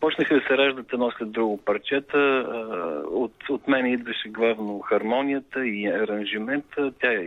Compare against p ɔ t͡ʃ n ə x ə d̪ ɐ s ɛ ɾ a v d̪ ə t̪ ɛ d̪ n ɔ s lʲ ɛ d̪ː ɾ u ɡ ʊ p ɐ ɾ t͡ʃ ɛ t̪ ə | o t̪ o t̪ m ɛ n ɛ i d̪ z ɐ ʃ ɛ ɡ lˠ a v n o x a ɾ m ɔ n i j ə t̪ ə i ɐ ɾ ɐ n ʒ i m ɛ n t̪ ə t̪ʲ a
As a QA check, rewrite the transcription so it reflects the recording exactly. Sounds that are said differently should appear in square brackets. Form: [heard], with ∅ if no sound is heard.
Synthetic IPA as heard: p ɔ t͡ʃ n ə x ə d̪ ɐ s ɛ ɾ a [ʒ] d̪ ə t̪ ɛ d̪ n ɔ s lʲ ɛ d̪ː ɾ u ɡ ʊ p ɐ ɾ t͡ʃ ɛ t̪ ə | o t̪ o t̪ m ɛ n ɛ i d̪ [v] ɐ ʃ ɛ ɡ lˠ a v n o x [ɐ] ɾ m ɔ n i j ə t̪ ə i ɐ ɾ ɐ n ʒ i m ɛ n t̪ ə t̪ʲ a